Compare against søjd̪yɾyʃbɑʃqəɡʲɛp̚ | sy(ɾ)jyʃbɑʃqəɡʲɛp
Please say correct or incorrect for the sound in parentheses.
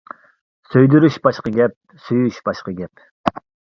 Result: incorrect